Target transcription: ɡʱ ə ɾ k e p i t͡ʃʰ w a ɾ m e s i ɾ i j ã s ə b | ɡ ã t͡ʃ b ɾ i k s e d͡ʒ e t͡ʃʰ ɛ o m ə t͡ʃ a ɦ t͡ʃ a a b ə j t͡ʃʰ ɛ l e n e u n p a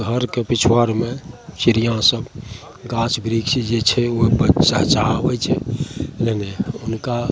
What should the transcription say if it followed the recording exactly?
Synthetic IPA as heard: ɡʱ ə ɾ k e p i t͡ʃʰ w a ɾ m e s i ɾ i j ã s ə b | ɡ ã t͡ʃ b ɾ i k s i d͡ʒ e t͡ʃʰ ɛ o b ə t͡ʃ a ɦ t͡ʃ a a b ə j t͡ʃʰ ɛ l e n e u n k a